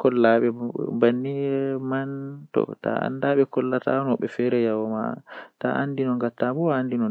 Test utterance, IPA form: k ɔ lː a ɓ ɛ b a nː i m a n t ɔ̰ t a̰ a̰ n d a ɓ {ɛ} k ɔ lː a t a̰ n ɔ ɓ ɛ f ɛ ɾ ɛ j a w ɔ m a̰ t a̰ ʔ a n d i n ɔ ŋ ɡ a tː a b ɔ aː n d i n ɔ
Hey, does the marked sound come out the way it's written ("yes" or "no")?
yes